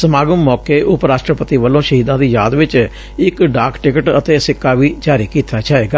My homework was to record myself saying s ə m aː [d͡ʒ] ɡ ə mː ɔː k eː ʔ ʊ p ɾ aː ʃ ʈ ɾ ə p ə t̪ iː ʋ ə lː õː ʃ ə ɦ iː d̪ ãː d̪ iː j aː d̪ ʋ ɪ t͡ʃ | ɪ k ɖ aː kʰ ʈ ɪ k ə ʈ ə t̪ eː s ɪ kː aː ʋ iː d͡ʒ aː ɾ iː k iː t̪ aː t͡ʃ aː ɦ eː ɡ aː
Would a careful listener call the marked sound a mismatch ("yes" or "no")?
yes